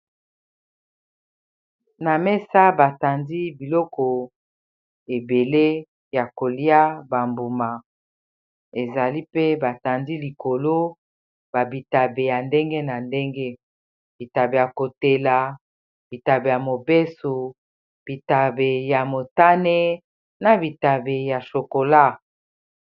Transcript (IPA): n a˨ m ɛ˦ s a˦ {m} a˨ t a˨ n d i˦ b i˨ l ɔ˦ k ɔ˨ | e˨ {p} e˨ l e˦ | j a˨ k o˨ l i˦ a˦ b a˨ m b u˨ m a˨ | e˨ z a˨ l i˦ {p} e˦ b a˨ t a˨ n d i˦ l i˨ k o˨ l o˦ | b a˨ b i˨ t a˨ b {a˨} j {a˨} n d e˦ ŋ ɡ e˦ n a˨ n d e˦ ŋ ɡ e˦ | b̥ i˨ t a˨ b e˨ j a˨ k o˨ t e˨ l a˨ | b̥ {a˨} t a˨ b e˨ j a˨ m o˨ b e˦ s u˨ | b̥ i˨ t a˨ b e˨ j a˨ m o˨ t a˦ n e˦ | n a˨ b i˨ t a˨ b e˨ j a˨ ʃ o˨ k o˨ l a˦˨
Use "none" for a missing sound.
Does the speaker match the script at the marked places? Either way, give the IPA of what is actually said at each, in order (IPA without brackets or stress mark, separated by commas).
b, b, p, e˨, a˨, i˨